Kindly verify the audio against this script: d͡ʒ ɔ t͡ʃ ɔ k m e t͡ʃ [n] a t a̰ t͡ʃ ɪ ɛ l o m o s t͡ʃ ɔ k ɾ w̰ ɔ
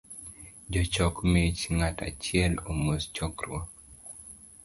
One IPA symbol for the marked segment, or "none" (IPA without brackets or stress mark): ŋ